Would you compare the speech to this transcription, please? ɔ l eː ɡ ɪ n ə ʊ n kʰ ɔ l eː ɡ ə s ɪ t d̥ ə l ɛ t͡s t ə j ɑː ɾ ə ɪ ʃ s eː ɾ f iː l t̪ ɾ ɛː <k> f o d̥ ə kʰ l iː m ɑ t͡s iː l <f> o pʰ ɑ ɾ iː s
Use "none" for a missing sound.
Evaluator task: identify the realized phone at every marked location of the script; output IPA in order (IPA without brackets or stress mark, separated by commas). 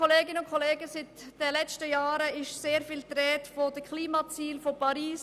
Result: t, f